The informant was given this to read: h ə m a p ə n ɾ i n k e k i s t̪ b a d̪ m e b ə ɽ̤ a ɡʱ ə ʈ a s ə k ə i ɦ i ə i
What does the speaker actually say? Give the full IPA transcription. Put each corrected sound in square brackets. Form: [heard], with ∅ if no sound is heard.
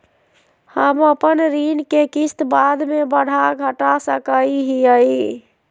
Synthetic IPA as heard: h ə m [ə] p ə n ɾ i n k e k i s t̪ b a d̪ m e b ə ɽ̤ a ɡʱ ə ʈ a s ə k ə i ɦ i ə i